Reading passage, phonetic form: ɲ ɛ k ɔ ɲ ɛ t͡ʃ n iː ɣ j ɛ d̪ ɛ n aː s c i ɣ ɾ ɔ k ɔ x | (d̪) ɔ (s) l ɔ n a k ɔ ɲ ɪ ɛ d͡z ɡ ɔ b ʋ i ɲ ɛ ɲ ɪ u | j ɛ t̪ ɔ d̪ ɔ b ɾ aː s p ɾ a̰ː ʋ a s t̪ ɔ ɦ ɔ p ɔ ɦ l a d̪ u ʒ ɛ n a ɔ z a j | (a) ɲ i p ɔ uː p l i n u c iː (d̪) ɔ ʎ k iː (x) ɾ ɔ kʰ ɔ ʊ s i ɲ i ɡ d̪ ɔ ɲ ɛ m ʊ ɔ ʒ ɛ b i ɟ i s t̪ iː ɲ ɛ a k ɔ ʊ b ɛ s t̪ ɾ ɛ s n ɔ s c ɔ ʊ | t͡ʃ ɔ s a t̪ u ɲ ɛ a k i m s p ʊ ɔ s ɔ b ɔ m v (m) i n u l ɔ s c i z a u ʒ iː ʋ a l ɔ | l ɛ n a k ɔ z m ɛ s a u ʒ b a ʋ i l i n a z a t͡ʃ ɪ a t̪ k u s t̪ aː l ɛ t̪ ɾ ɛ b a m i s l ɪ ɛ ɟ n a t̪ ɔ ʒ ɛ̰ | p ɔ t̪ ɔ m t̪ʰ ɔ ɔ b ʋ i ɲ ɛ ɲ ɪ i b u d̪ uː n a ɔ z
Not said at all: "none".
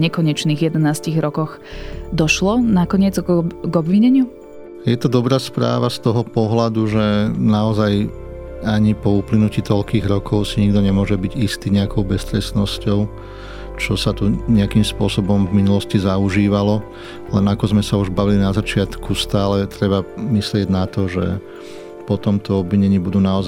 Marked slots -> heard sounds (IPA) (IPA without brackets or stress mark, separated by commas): d̪, ʃ, a, t̪, ɣ, m